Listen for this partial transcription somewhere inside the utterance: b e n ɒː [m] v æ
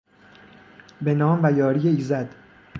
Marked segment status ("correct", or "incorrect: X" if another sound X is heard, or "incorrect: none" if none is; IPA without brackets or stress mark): correct